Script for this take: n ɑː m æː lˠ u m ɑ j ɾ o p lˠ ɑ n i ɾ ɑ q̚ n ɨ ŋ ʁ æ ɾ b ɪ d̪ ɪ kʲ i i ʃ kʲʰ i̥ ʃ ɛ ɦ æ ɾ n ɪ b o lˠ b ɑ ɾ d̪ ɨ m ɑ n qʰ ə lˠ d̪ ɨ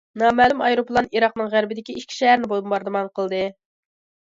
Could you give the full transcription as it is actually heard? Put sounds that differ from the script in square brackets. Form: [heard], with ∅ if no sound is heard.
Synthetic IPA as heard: n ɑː m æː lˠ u m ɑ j ɾ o p lˠ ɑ n i ɾ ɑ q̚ n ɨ ŋ ʁ æ ɾ b ɪ d̪ ɪ kʲ i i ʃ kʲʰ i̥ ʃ ɛ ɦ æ ɾ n ɪ b o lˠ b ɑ ɾ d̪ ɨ m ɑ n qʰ ə lˠ d̪ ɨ